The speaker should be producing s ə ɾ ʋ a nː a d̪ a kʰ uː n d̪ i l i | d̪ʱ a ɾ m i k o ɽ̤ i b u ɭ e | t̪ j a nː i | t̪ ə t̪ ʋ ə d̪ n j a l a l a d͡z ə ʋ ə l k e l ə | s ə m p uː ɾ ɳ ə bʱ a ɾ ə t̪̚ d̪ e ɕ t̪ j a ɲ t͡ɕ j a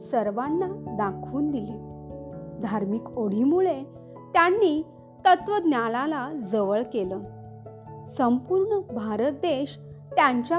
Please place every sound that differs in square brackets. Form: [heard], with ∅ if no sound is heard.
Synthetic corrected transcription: s ə ɾ ʋ a nː a d̪ a kʰ uː n d̪ i l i | d̪ʱ a ɾ m i k o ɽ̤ i [m] u ɭ e | t̪ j a nː i | t̪ ə t̪ ʋ ə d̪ n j a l a l a d͡z ə ʋ ə [ɭ] k e l ə | s ə m p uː ɾ ɳ ə bʱ a ɾ ə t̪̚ d̪ e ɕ t̪ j a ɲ t͡ɕ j a